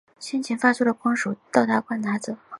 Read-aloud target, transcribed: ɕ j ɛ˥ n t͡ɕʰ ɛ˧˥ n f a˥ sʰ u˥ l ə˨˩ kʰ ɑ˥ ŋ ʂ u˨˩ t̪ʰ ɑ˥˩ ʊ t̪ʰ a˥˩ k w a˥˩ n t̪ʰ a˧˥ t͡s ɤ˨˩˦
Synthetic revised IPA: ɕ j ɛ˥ n t͡ɕʰ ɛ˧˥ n f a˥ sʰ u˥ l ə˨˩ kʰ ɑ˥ ŋ ʂ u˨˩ t̪ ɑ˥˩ ʊ t̪ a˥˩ k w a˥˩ n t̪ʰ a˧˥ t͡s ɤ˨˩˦